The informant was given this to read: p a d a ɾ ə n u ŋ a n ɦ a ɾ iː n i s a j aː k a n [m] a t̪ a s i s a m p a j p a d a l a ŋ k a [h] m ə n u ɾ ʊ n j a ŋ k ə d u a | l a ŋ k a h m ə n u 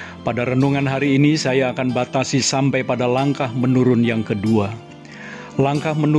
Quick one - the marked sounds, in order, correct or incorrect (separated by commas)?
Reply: incorrect, correct